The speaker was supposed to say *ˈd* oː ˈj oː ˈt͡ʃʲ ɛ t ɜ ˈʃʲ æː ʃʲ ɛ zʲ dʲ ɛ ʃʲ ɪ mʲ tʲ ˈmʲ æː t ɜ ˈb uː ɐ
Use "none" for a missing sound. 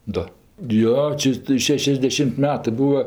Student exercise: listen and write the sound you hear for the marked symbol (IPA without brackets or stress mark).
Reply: d